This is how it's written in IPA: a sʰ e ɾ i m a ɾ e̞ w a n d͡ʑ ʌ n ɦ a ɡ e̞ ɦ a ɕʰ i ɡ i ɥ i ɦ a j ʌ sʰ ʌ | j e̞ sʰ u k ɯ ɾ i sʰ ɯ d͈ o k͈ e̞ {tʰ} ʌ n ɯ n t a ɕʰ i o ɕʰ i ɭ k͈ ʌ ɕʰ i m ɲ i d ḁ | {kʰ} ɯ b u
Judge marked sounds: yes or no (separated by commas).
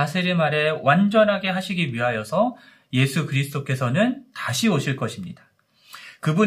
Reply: no, no